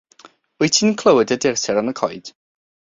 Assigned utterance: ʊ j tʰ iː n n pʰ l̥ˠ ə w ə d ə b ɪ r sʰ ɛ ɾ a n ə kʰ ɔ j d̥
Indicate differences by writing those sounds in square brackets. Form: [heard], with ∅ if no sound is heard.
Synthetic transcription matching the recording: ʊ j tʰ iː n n [kʰ] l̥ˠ ə w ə d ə [d] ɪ r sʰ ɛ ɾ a n ə kʰ ɔ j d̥